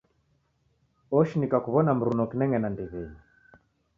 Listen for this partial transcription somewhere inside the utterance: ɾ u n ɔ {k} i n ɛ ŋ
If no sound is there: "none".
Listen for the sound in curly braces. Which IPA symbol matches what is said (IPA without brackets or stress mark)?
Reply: k